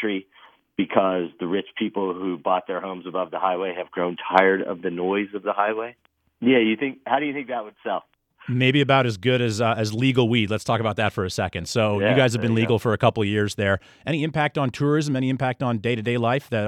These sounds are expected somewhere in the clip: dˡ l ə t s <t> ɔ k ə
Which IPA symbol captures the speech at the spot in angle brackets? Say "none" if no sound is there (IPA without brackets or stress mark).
tʰ